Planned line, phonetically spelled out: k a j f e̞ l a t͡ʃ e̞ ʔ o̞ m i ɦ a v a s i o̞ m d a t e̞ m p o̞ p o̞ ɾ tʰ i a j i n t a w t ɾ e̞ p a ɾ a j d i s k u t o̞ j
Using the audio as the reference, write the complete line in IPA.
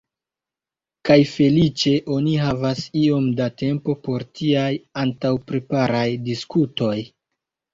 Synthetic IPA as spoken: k a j f e̞ l i t͡ʃ e̞ ʔ o̞ n i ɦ a v a s i o̞ m d a t e̞ m p o̞ p o̞ ɾ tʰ i a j a n t a w p ɾ e̞ p a ɾ a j d i s k u t o̞ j